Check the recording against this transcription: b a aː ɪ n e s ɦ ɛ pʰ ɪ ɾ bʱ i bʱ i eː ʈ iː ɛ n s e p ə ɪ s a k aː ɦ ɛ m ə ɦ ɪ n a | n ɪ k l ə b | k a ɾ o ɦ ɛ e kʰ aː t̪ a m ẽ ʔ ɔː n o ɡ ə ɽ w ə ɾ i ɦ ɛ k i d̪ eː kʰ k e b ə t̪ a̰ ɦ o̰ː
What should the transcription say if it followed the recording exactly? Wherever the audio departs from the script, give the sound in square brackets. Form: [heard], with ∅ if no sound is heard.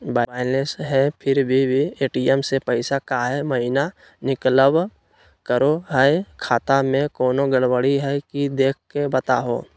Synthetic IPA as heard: b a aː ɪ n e s ɦ ɛ pʰ ɪ ɾ bʱ i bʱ i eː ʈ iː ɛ [m] s e p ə ɪ s a k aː ɦ ɛ m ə ɦ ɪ n a | n ɪ k l ə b | k [ə] ɾ o ɦ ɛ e kʰ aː t̪ a m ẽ [k] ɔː n o ɡ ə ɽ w ə [ɽ] i ɦ ɛ k i d̪ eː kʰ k e b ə t̪ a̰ ɦ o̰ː